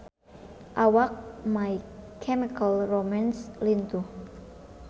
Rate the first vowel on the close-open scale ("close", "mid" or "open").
open